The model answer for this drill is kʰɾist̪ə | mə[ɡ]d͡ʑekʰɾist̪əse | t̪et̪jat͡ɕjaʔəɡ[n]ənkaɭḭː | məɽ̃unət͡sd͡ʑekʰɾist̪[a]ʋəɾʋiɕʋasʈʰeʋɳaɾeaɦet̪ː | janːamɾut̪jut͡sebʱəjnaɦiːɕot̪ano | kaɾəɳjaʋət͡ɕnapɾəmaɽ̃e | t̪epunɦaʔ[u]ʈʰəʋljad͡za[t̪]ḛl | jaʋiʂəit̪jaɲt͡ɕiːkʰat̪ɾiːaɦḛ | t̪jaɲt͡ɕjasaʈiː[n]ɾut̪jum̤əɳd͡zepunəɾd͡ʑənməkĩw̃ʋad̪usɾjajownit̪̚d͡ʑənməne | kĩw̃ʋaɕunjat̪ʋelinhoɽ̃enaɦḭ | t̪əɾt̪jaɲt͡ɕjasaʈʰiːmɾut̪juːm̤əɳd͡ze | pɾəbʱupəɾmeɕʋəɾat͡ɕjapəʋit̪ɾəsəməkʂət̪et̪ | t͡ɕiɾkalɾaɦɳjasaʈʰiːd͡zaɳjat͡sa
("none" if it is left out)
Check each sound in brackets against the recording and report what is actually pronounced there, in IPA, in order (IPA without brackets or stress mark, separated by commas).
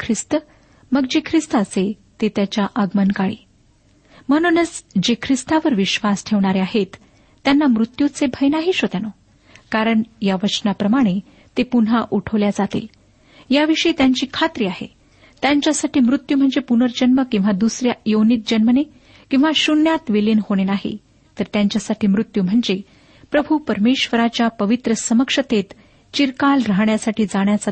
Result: ɡ, m, a, u, t̪, m